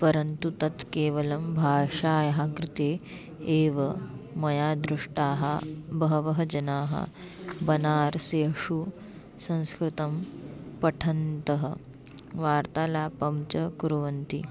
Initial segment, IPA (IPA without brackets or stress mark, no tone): p